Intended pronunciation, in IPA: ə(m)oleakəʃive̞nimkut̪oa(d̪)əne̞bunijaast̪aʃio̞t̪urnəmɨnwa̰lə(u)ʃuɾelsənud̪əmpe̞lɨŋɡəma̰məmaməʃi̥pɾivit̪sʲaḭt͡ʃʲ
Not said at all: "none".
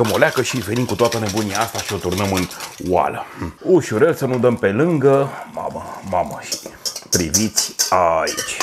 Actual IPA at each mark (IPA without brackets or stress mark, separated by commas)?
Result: m, t̪, u